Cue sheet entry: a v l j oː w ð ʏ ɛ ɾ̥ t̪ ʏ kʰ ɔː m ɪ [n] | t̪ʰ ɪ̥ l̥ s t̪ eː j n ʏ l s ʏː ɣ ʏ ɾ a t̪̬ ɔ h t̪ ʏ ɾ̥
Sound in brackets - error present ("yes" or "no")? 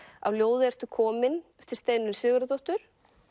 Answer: no